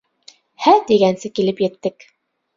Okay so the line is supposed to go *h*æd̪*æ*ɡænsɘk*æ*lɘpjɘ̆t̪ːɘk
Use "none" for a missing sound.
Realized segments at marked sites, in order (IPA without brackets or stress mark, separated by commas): h, i, i